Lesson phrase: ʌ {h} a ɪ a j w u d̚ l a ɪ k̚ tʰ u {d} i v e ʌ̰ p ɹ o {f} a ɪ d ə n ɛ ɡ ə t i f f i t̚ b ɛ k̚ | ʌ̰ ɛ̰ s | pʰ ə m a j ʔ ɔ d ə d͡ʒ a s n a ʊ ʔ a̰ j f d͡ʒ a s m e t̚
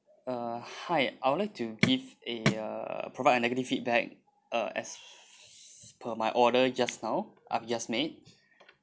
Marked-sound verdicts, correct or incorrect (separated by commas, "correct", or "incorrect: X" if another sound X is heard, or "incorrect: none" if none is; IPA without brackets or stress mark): correct, incorrect: ɡ, incorrect: v